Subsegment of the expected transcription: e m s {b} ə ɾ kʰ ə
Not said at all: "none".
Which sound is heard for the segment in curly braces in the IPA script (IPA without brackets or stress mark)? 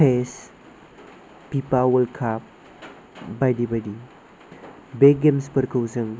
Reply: p